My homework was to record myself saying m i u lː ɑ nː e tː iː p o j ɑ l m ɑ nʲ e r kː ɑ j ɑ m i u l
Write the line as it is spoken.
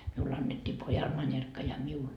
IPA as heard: m i u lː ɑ nː e tː iː p o j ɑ l m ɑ nʲ e r kː ɑ j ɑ m i u l